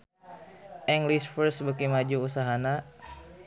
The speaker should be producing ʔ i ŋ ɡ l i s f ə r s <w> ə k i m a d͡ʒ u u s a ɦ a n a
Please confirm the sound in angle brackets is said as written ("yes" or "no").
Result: no